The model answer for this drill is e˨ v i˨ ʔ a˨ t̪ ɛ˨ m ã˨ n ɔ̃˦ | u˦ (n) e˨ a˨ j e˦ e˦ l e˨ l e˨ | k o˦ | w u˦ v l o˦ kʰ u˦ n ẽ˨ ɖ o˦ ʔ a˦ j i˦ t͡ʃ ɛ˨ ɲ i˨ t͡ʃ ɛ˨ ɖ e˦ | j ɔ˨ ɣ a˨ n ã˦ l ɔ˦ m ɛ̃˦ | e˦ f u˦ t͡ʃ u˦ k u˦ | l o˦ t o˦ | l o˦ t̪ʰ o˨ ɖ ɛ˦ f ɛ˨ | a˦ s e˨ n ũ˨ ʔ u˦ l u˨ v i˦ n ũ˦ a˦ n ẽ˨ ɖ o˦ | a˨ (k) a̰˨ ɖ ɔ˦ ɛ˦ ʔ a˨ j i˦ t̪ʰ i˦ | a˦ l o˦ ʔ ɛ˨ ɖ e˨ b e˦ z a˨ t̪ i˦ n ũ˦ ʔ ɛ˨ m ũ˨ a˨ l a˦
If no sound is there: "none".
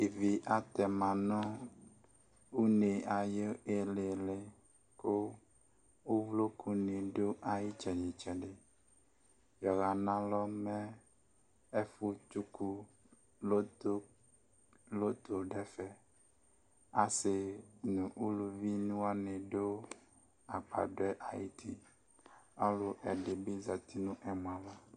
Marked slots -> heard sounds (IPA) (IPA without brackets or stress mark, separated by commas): n, k͡p